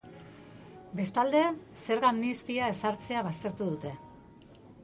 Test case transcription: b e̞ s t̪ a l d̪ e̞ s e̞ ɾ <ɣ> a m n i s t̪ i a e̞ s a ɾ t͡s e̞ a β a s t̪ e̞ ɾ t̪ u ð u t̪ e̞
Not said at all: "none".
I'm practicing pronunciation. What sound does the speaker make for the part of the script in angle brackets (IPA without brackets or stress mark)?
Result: ɣ